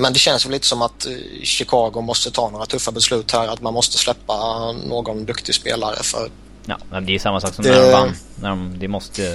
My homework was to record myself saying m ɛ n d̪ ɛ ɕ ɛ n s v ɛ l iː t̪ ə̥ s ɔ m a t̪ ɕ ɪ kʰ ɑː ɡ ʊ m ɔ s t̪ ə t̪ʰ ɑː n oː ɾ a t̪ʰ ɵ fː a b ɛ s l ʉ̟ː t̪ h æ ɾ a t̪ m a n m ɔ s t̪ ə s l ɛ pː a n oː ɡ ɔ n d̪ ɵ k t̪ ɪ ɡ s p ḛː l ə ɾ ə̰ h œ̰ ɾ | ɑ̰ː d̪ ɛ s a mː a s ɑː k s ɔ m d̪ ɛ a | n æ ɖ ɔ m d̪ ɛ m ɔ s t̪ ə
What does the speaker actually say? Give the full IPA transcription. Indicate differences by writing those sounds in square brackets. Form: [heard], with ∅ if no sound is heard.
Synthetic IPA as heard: m ɛ n d̪ ɛ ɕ ɛ n s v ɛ l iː t̪ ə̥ s ɔ m a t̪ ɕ ɪ kʰ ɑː ɡ ʊ m ɔ s t̪ ə t̪ʰ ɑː n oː ɾ a t̪ʰ ɵ fː a b ɛ s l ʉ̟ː t̪ h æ ɾ a t̪ m a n m ɔ s t̪ ə s l ɛ pː a n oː ɡ ɔ n d̪ ɵ k t̪ ɪ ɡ s p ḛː l [a] ɾ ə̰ [f] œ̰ ɾ | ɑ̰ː d̪ ɛ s a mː a s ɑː k s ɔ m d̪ ɛ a | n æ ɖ ɔ m d̪ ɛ m ɔ s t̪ ə